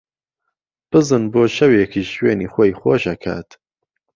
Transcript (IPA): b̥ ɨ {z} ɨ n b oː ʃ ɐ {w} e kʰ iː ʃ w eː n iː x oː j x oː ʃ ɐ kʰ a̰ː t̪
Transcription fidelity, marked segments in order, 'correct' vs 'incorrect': correct, correct

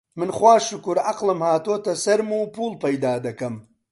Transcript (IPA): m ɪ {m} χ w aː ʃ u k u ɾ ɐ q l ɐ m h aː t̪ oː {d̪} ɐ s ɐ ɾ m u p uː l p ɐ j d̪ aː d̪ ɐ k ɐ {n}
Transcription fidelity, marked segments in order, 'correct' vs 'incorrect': incorrect: n, incorrect: t̪, incorrect: m

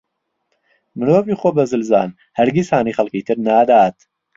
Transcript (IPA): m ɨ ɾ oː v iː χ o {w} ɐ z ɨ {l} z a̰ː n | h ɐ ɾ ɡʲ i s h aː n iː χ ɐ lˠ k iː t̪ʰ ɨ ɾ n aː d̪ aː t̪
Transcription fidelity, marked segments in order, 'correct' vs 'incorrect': incorrect: b, correct

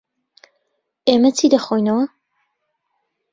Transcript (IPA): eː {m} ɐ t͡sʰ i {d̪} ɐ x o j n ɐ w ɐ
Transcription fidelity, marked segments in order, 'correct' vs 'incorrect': correct, correct

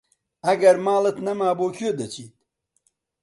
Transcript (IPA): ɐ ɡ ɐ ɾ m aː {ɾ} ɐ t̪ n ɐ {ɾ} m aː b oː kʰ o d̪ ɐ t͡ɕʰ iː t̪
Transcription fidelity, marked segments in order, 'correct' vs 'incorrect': incorrect: l, incorrect: none

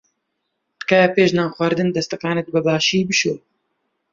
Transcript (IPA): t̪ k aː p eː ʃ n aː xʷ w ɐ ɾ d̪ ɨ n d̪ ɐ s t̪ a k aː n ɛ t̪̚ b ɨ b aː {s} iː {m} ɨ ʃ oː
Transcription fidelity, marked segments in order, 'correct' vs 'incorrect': incorrect: ʃ, incorrect: b

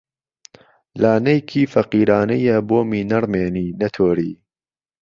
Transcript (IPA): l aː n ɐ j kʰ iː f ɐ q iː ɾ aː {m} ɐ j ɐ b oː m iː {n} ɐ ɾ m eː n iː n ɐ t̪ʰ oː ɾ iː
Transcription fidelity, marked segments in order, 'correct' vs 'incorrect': incorrect: n, correct

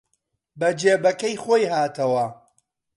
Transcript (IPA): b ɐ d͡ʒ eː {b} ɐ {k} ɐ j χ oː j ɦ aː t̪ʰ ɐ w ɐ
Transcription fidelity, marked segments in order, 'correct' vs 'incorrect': correct, correct

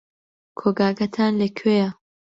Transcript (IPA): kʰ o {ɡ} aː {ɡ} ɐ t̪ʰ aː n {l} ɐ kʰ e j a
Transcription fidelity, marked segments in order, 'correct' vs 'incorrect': correct, correct, correct

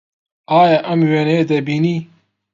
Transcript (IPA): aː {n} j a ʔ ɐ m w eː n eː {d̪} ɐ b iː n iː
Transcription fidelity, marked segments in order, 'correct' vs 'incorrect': incorrect: none, correct

